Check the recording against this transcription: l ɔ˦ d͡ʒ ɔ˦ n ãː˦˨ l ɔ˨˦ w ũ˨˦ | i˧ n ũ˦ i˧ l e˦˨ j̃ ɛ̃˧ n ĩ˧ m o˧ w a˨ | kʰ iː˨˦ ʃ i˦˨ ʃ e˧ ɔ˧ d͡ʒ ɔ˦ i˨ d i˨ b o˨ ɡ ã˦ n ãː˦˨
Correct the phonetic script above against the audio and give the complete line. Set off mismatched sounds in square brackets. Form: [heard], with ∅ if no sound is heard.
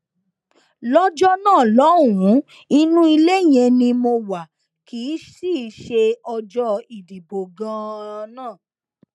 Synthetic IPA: l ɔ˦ d͡ʒ ɔ˦ n ãː˦˨ l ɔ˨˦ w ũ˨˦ | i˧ n ũ˦ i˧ l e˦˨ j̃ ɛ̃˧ n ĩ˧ m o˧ w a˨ | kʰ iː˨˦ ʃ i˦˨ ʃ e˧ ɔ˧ d͡ʒ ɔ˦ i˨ d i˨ b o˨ ɡ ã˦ n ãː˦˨